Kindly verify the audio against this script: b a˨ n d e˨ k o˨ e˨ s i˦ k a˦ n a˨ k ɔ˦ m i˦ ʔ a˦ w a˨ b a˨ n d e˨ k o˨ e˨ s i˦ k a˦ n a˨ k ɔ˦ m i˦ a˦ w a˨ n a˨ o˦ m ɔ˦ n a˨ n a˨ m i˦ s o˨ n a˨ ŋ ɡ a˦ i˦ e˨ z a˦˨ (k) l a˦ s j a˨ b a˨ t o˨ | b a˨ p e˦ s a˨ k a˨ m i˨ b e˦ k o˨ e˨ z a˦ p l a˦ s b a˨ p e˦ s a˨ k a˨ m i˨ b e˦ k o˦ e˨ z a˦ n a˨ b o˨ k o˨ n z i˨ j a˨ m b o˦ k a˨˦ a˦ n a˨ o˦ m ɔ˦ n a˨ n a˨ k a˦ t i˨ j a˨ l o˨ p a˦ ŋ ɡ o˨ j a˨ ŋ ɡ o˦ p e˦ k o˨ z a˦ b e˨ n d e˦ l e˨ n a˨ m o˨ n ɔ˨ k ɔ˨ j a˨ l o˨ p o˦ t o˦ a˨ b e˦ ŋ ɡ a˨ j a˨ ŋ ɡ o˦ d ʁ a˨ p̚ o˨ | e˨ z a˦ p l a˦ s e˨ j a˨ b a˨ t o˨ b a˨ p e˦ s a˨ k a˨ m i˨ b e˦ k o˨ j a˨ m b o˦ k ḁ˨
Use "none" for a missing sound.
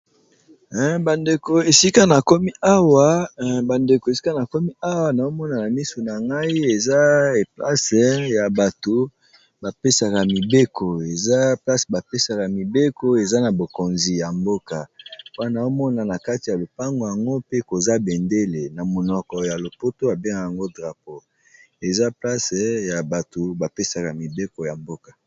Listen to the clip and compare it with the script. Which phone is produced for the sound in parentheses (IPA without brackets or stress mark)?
p